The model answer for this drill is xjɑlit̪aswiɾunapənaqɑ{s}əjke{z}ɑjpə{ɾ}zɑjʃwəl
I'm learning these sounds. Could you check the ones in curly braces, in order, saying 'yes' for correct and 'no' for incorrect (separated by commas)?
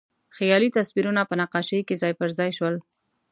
no, yes, yes